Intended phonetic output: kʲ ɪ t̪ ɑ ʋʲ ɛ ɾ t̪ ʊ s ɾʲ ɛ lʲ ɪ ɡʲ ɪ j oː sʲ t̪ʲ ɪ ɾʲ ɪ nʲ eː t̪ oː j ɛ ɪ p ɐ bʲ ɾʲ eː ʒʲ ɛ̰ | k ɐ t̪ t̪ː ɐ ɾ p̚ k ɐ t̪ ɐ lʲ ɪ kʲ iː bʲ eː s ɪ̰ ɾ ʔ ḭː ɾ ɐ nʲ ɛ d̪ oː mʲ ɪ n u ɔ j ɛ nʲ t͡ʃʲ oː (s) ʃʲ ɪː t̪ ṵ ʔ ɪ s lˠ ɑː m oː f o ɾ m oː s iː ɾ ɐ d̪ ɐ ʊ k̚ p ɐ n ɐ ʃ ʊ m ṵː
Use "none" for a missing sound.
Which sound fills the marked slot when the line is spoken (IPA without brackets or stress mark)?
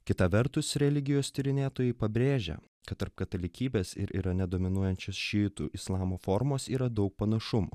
s